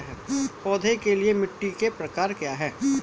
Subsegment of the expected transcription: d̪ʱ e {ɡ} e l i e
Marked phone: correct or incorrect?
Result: incorrect